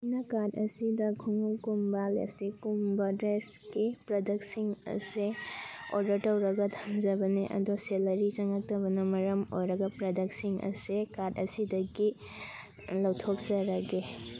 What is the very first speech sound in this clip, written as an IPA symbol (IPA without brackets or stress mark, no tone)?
n